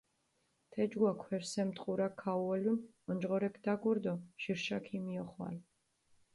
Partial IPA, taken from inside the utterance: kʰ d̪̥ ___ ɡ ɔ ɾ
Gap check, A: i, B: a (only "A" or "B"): B